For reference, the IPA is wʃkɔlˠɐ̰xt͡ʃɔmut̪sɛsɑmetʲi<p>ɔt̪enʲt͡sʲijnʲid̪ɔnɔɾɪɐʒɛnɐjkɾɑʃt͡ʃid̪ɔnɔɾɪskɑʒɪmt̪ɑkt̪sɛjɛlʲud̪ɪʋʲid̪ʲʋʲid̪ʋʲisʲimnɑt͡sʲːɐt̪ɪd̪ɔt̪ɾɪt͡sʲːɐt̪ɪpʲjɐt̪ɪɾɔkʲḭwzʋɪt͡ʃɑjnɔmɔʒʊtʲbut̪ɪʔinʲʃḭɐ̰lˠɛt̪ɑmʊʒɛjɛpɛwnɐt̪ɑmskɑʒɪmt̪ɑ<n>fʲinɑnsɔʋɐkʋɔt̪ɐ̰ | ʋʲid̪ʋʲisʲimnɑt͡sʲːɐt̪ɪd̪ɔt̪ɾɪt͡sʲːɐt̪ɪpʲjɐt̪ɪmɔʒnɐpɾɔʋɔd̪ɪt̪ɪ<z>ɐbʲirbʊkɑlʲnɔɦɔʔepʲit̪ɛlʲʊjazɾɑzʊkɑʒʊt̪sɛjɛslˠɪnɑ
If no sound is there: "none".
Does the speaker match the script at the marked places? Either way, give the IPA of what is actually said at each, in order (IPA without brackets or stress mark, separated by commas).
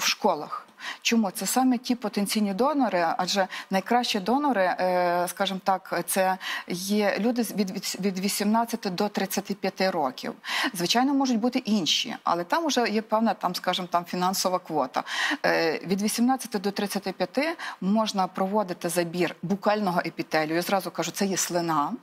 p, m, z